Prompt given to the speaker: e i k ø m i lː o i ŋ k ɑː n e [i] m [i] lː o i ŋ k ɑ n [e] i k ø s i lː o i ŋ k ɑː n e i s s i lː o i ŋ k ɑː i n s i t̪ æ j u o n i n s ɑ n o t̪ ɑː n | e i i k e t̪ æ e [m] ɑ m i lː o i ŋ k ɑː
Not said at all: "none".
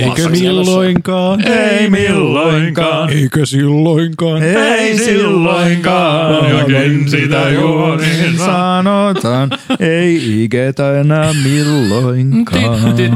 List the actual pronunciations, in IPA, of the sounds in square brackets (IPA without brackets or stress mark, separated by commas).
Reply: i, i, e, n